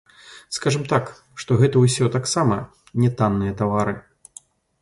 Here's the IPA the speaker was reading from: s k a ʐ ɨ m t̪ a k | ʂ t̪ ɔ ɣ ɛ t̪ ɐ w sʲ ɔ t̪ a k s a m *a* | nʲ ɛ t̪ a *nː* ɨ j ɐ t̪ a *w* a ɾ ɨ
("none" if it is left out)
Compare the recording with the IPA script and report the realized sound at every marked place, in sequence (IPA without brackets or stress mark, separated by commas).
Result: ɐ, nː, v